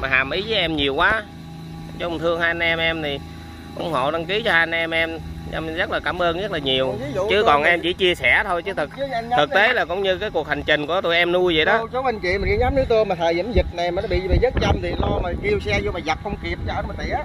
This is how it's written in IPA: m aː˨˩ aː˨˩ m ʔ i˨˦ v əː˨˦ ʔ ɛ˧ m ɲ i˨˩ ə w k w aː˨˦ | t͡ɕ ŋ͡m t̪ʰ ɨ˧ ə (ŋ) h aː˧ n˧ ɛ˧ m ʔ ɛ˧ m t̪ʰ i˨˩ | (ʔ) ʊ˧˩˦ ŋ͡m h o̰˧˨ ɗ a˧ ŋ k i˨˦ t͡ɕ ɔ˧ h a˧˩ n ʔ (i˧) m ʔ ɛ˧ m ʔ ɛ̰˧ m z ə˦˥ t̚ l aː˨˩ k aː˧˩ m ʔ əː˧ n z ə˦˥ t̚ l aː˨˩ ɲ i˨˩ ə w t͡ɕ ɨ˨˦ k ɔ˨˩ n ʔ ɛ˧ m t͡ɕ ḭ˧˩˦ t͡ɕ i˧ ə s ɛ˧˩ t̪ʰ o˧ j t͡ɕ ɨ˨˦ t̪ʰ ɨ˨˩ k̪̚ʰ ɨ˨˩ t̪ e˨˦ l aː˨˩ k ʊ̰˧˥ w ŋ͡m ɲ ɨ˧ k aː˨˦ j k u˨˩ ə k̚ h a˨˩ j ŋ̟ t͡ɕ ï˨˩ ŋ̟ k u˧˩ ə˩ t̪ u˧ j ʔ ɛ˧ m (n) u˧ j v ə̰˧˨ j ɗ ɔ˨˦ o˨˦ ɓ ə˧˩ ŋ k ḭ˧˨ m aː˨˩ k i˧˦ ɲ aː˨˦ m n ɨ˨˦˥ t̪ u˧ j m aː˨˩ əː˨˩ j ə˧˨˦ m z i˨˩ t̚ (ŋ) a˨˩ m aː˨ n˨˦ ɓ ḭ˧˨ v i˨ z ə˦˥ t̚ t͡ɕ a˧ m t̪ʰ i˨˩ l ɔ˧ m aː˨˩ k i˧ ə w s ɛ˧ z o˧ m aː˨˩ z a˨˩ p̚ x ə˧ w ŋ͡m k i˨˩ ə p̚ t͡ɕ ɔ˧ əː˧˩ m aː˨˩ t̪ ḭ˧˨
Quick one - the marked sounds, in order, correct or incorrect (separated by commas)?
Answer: correct, correct, incorrect, correct, incorrect